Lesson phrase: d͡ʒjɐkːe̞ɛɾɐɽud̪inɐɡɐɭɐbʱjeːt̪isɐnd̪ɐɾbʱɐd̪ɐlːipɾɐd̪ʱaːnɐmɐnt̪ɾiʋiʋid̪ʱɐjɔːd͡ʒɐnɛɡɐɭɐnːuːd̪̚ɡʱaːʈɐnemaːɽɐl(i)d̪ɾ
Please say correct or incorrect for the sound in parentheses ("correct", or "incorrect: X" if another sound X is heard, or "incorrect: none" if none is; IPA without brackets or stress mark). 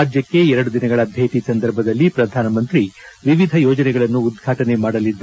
correct